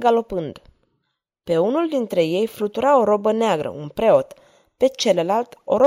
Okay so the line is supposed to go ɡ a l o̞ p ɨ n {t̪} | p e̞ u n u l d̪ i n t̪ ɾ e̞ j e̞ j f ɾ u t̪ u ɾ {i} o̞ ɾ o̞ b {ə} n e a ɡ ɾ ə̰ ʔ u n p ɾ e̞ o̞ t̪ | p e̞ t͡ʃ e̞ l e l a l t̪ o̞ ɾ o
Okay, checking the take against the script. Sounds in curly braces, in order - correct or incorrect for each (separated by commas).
incorrect, incorrect, correct